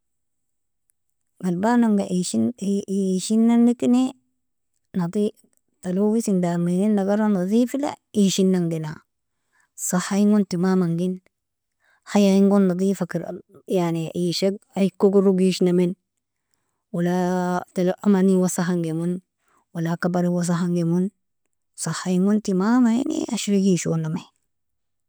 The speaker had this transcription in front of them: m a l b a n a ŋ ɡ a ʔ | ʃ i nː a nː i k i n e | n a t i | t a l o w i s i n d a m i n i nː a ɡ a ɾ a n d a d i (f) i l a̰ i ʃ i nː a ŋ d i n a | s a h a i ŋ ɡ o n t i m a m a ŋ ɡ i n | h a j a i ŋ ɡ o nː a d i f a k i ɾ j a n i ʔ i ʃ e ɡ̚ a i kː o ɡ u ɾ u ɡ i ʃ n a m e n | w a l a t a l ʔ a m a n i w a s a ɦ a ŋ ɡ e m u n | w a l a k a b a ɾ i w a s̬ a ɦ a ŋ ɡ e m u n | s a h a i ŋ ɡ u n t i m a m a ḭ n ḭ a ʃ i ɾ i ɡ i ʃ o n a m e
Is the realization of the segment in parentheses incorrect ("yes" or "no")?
no